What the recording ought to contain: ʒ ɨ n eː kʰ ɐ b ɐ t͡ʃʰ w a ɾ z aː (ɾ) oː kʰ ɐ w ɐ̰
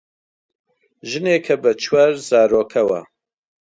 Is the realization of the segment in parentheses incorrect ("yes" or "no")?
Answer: no